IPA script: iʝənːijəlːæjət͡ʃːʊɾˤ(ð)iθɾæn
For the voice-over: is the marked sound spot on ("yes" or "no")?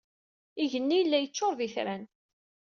yes